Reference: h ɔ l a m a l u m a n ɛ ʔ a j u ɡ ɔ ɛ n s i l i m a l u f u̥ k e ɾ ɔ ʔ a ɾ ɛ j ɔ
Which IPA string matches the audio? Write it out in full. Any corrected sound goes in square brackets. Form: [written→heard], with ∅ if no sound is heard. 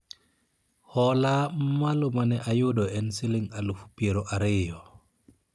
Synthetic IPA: h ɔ l a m a l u m a n ɛ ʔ a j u [ɡ→d] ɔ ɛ n s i l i [m→ŋ] a l u f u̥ [k→p] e ɾ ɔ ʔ a ɾ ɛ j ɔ